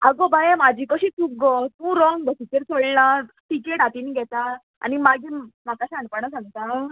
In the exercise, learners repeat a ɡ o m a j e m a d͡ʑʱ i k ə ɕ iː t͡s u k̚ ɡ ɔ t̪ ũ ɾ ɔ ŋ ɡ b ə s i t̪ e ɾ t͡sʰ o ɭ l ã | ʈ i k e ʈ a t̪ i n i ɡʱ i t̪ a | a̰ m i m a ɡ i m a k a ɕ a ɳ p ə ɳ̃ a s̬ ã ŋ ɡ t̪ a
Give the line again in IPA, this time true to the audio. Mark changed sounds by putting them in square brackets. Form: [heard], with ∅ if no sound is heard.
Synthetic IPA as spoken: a ɡ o [b] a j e m a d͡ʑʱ i k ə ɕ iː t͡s u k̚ ɡ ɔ t̪ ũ ɾ ɔ ŋ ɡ b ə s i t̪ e ɾ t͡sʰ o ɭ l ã | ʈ i k e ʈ a t̪ i n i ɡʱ [ɛ] t̪ a | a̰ [n] i m a ɡ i m a k a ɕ a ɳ p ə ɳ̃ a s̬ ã ŋ ɡ t̪ a

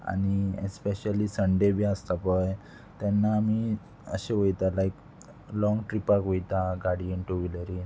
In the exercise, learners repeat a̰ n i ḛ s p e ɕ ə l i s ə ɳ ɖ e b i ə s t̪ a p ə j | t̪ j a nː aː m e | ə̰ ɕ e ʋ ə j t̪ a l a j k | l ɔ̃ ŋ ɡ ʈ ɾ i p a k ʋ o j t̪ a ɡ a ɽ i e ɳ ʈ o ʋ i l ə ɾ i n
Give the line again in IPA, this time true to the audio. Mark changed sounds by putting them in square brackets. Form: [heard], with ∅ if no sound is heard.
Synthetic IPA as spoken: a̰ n i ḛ s p e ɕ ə l i s ə ɳ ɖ e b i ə s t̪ a p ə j | t̪ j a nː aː m [i] | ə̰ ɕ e ʋ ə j t̪ a l a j k | l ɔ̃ ŋ ɡ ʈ ɾ i p a k ʋ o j t̪ a ɡ a ɽ i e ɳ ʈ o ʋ i l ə ɾ i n

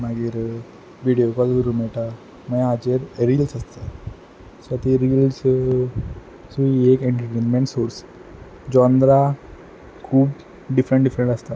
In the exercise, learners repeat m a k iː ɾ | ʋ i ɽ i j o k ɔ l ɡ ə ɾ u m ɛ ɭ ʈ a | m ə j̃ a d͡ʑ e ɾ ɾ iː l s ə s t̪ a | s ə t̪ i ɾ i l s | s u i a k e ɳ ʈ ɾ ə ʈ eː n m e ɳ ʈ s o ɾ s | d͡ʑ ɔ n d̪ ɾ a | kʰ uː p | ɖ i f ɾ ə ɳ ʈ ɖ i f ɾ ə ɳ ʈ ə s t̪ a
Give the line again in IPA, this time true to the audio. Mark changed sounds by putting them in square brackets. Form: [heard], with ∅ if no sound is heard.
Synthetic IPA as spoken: m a [ɡ] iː ɾ | ʋ i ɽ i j o k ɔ l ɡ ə ɾ u m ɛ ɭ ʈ a | m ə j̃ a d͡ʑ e ɾ ɾ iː l s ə s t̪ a | s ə t̪ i ɾ i l s | s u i [e] k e ɳ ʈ ɾ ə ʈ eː n m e ɳ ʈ s o ɾ s | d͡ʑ ɔ n d̪ ɾ a | kʰ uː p | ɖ i f ɾ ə ɳ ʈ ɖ i f ɾ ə ɳ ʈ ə s t̪ a

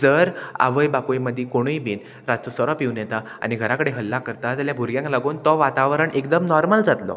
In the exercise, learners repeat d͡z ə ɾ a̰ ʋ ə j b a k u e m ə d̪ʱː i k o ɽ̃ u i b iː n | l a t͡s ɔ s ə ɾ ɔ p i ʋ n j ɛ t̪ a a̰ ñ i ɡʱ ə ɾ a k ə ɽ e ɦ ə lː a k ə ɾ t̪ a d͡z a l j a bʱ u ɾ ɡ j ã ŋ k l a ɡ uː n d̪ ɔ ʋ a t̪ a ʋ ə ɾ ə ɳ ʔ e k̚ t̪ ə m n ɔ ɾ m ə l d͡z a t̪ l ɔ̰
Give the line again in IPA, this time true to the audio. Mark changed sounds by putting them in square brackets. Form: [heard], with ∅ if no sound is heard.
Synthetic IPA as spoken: d͡z ə ɾ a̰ ʋ ə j b a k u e m ə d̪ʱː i k o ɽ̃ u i b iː n | [ɾ] a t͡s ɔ s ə ɾ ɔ p i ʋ n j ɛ t̪ a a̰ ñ i ɡʱ ə ɾ a k ə ɽ e ɦ ə lː a k ə ɾ t̪ a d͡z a l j a bʱ u ɾ ɡ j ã ŋ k l a ɡ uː n [t̪] ɔ ʋ a t̪ a ʋ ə ɾ ə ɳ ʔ e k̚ [d̪] ə m n ɔ ɾ m ə l d͡z a t̪ l ɔ̰

